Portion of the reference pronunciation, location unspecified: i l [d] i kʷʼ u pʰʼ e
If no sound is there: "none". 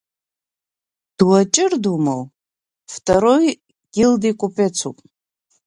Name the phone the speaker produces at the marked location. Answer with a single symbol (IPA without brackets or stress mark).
d